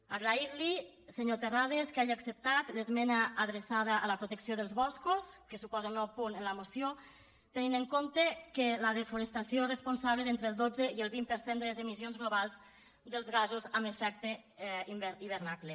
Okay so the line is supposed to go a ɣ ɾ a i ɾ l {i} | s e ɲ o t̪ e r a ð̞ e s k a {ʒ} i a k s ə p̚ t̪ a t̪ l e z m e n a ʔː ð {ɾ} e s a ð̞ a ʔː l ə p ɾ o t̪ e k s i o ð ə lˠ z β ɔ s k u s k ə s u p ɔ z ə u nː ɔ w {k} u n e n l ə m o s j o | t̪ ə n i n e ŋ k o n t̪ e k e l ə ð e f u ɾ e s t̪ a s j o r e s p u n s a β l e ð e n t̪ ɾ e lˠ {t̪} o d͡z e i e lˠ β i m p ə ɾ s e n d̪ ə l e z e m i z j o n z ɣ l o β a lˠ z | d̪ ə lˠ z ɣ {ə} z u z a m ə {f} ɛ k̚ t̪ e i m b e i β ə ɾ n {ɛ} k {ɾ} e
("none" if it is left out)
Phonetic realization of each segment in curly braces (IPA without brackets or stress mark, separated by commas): i, ʒ, ɾ, p, d̪, a, f, a, l